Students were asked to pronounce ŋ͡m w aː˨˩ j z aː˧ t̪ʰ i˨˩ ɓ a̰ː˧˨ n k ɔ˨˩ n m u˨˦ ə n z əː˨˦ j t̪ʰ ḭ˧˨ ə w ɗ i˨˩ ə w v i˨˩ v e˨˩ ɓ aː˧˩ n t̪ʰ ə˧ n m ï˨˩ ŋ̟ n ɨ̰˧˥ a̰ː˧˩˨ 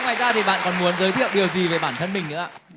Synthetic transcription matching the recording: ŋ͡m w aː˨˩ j z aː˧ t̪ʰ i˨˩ ɓ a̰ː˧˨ n k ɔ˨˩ n m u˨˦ ə n z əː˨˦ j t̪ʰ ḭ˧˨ ə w ɗ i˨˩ ə w z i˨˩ v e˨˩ ɓ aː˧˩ n t̪ʰ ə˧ n m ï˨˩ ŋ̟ n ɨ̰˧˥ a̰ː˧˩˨